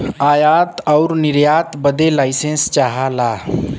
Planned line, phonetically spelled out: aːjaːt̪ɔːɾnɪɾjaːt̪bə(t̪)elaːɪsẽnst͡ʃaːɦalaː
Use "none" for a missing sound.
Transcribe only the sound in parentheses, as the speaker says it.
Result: d̪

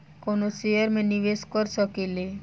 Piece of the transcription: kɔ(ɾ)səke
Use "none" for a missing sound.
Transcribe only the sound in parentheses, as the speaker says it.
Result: ɾ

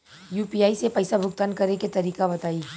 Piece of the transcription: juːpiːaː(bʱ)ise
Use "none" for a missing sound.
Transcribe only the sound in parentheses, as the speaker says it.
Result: none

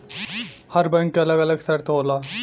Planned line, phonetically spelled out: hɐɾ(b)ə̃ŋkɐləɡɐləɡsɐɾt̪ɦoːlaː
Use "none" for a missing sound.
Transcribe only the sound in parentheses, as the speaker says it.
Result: b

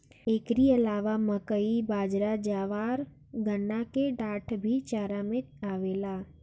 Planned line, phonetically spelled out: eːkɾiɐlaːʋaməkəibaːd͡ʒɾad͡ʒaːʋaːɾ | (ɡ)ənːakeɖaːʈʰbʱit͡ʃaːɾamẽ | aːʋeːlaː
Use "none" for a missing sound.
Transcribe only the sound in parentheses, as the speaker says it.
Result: ɡ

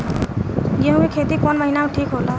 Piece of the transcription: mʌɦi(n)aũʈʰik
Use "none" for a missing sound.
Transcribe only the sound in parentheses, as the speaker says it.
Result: n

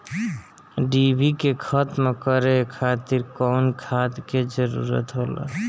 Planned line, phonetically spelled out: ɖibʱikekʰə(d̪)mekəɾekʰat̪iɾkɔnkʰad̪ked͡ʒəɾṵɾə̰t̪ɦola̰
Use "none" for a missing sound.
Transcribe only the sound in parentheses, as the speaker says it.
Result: t̪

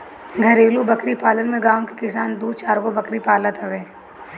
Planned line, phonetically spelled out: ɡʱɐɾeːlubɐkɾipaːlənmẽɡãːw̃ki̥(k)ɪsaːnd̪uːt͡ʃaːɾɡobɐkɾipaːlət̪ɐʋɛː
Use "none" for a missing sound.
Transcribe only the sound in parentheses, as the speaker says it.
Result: k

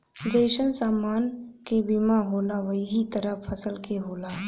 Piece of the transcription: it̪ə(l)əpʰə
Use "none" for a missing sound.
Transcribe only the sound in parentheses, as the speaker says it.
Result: ɾ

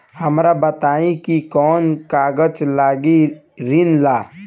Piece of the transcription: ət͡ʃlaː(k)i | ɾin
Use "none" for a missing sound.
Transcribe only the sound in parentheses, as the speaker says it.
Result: ɡ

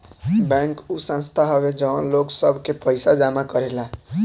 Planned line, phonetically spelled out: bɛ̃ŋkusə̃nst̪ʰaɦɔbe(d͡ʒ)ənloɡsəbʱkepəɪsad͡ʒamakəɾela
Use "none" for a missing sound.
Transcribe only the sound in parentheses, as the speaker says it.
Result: d͡ʒ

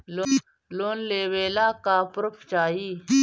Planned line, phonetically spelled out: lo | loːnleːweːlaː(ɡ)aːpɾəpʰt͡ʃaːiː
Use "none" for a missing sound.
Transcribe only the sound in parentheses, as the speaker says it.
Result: k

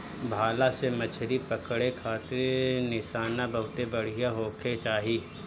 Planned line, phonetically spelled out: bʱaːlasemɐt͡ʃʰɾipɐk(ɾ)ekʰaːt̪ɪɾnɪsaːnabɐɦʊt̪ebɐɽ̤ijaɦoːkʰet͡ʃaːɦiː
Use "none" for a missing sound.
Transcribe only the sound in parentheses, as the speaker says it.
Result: ɽ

